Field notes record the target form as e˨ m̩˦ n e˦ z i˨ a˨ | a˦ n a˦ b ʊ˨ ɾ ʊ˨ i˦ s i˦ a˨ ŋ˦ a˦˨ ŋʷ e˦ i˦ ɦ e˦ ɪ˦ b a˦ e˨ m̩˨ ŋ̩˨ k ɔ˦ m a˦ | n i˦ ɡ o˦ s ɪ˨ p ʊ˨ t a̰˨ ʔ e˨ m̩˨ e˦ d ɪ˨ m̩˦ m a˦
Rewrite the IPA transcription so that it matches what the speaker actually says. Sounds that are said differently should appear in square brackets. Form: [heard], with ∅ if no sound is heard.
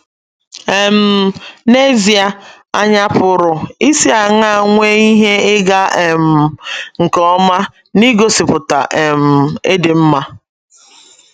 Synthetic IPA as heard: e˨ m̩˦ n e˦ z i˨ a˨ | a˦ [ɲ] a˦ [p] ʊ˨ ɾ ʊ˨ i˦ s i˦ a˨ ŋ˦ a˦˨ ŋʷ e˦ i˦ ɦ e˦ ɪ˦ [ɡ] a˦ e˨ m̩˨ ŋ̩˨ k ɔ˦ m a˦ | n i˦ ɡ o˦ s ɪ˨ p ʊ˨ t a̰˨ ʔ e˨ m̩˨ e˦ d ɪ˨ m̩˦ m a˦